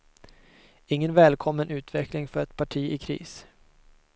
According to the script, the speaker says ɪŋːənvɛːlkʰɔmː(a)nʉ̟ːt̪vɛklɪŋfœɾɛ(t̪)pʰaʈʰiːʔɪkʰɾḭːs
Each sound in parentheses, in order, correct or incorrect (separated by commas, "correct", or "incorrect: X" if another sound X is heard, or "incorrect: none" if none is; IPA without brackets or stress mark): incorrect: ə, correct